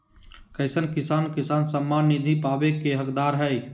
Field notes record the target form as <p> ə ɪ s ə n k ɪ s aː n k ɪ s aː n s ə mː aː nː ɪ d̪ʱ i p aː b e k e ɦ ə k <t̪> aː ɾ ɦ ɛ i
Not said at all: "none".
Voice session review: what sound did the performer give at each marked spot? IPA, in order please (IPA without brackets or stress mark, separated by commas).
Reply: k, d̪